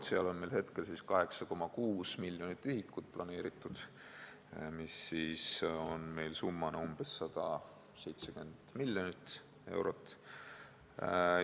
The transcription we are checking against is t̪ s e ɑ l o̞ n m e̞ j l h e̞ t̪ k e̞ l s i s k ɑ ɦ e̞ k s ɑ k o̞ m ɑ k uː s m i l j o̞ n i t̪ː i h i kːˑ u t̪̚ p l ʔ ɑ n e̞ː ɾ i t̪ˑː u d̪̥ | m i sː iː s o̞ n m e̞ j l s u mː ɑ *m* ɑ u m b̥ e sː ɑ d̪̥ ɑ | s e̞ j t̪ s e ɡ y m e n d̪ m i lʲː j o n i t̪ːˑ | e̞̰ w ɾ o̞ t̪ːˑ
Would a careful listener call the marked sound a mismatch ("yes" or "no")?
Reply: yes